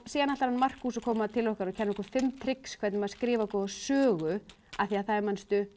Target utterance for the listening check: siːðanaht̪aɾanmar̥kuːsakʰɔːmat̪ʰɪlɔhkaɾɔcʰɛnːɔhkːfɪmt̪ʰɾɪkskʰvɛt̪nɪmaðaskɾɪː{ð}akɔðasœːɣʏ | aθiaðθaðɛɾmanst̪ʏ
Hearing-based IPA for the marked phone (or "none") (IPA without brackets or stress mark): v